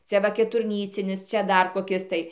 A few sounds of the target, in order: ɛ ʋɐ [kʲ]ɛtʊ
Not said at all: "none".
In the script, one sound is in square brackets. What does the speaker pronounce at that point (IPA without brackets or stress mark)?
kʲ